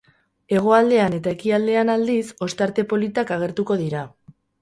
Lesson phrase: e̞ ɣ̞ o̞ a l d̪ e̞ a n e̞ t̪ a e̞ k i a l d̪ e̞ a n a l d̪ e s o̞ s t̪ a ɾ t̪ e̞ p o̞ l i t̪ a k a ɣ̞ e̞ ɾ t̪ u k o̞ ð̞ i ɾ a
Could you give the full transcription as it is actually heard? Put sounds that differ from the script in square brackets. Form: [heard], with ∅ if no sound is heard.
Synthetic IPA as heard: e̞ ɣ̞ o̞ a l d̪ e̞ a n e̞ t̪ a e̞ k i a l d̪ e̞ a n a l d̪ [i] s o̞ s t̪ a ɾ t̪ e̞ p o̞ l i t̪ a k a ɣ̞ e̞ ɾ t̪ u k o̞ ð̞ i ɾ a